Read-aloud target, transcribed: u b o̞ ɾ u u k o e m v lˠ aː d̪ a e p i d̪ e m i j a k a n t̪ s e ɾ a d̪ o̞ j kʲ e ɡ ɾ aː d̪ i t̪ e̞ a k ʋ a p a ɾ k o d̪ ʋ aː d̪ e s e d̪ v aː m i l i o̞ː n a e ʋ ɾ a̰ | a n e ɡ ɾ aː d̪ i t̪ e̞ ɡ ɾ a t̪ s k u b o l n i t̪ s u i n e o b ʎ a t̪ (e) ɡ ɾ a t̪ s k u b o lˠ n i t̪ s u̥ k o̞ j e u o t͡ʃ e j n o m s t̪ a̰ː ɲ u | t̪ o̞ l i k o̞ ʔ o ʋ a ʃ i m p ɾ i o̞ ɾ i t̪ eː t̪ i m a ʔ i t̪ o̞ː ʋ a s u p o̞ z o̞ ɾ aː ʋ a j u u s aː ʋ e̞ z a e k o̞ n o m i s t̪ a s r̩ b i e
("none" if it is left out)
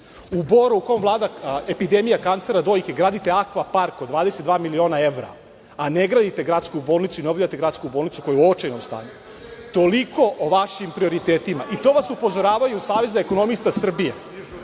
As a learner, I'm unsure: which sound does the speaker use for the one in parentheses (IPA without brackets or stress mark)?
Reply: e